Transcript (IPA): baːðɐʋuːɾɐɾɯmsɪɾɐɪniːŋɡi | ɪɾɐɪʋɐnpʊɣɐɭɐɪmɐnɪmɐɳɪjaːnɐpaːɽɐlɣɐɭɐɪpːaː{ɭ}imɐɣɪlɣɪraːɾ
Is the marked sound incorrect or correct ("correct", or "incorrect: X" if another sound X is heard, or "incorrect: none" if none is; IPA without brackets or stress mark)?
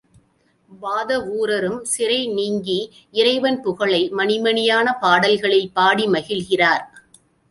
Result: incorrect: ɽ